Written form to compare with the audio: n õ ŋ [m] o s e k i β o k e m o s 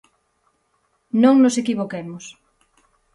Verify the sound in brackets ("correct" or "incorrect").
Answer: incorrect